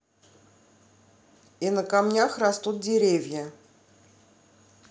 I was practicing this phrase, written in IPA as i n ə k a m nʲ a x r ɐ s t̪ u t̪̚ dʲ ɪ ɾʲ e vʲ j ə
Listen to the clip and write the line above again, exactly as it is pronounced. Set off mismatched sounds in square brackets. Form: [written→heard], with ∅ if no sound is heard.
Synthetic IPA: i n ə k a m nʲ a x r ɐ s t̪ u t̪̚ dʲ ɪ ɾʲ e vʲ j ə